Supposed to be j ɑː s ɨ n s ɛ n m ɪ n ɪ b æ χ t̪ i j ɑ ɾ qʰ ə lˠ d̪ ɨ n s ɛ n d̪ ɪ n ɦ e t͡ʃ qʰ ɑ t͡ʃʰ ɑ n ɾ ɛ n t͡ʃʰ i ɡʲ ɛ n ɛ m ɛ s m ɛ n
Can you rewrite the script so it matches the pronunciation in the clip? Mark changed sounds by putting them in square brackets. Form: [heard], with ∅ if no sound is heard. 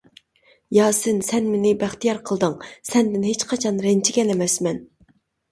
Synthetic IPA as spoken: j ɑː s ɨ n s ɛ n m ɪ n ɪ b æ χ t̪ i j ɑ ɾ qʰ ə lˠ d̪ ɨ [ŋ] s ɛ n d̪ ɪ n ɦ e t͡ʃ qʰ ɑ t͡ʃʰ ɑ n ɾ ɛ n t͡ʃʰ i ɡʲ ɛ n ɛ m ɛ s m ɛ n